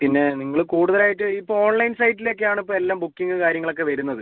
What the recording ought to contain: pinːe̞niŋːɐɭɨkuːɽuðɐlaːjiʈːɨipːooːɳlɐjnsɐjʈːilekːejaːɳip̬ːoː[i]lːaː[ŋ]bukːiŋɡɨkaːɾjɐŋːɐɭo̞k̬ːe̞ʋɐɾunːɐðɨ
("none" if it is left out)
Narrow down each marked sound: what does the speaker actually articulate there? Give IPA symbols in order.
e, m

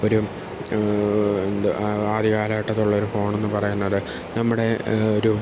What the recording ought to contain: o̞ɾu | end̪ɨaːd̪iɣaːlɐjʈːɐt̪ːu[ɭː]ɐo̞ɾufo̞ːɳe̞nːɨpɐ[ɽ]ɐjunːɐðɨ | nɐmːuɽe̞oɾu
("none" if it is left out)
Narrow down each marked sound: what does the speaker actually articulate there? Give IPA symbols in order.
ɭː, r

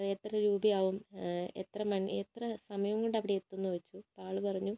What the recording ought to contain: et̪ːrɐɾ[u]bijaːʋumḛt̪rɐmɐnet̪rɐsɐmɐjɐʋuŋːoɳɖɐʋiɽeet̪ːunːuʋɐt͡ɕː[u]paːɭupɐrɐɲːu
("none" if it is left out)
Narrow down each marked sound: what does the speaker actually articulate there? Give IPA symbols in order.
uː, u

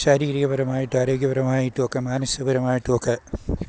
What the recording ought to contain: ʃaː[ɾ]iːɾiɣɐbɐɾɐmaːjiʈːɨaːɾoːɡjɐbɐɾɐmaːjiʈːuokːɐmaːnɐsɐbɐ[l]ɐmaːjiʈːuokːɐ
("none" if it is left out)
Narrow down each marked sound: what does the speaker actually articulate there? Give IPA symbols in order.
ɾ, ɾ

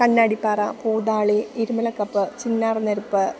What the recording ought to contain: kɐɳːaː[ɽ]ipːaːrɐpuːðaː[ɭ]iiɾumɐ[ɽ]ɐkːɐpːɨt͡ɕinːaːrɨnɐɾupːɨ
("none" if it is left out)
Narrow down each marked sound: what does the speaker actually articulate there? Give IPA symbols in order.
ɽ, ɭ, l

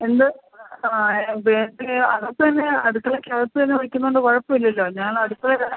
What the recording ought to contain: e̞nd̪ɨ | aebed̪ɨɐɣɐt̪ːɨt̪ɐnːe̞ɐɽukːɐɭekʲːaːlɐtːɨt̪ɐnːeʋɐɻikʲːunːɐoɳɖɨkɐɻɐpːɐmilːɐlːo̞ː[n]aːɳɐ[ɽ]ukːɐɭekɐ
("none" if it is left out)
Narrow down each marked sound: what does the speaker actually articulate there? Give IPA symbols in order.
ɲ, ɽ

